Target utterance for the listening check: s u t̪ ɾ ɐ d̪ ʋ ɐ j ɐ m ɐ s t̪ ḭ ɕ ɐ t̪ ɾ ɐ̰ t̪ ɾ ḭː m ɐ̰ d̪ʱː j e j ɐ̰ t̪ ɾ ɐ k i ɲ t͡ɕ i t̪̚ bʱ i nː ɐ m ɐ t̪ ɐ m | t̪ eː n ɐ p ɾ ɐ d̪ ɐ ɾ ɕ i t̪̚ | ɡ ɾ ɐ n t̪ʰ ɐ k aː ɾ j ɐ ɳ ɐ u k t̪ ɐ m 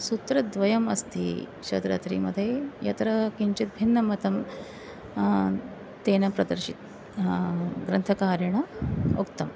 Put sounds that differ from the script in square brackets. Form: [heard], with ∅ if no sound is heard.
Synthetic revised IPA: s u t̪ ɾ ɐ d̪ ʋ ɐ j ɐ m ɐ s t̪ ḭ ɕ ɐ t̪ ɾ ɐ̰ t̪ ɾ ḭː m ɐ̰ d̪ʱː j e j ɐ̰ t̪ ɾ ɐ k i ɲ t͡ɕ i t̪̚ bʱ i nː ɐ m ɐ t̪ ɐ m | t̪ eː n ɐ p ɾ ɐ d̪ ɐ ɾ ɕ i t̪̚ | ɡ ɾ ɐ n t̪ʰ ɐ k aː ɾ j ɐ ɳ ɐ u k t̪ ɐ m